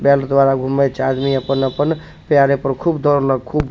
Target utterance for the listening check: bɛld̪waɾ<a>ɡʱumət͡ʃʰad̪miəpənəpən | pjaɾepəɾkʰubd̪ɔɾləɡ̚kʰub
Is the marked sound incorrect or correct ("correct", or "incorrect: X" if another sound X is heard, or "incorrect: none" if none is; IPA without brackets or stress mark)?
correct